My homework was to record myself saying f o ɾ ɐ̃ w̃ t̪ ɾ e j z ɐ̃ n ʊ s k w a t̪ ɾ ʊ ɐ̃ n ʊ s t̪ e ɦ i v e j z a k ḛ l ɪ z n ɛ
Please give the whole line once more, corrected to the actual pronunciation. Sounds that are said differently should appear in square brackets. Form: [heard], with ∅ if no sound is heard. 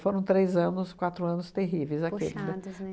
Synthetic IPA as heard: f o ɾ ɐ̃ w̃ t̪ ɾ e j z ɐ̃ n ʊ s k w a t̪ ɾ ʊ ɐ̃ n ʊ s t̪ e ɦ i v e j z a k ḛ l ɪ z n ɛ